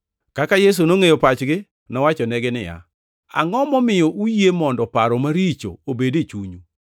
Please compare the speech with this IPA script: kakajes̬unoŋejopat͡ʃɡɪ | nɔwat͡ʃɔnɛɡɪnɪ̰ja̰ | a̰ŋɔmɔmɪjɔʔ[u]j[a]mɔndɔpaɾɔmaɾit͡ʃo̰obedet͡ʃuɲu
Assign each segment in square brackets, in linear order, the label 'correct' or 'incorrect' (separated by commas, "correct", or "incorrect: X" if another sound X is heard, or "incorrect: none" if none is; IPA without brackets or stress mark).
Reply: correct, incorrect: e